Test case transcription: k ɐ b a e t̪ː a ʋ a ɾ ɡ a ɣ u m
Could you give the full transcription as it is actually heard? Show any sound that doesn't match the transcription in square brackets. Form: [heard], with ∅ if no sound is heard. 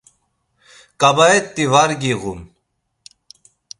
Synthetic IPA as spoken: k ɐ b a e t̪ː [i] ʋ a ɾ ɡ [i] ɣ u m